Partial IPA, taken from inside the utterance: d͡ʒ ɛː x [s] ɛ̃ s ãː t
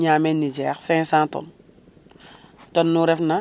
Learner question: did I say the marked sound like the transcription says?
yes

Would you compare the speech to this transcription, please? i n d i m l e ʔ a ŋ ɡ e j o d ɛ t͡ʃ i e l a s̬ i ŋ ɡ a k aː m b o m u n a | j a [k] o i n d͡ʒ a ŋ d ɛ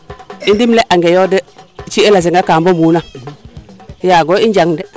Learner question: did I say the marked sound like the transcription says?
no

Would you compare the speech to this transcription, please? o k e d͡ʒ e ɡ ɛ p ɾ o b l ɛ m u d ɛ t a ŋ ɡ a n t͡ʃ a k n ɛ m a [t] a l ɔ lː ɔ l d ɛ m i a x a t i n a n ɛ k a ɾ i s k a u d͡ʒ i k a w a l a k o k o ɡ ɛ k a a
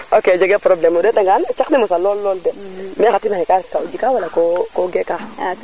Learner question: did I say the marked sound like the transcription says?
no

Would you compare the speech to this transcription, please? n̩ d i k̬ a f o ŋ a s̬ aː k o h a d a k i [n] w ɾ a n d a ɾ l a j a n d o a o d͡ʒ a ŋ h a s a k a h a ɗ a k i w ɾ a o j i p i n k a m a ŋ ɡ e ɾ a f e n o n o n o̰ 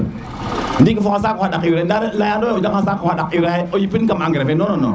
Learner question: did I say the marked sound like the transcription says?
no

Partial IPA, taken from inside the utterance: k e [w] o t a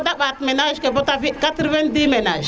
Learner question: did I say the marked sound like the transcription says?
no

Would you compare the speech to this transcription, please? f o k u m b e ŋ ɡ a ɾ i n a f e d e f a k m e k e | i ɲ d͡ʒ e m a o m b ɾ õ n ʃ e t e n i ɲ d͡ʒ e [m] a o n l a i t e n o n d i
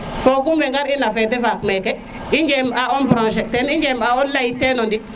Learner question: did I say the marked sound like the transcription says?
yes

